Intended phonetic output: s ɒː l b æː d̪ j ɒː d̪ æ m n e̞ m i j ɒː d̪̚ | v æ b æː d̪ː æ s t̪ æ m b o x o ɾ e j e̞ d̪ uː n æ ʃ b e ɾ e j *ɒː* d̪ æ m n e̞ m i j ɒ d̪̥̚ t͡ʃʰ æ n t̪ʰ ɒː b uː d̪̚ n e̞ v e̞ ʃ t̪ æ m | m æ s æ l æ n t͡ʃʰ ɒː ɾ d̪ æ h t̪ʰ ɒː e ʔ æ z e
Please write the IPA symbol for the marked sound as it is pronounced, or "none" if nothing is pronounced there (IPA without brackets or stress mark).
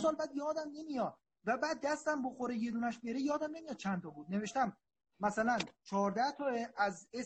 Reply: ɒː